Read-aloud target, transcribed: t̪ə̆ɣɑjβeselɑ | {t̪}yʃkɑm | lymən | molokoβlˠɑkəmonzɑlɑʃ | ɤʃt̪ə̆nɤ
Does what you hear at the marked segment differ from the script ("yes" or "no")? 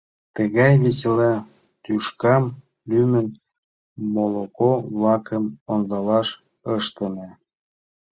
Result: no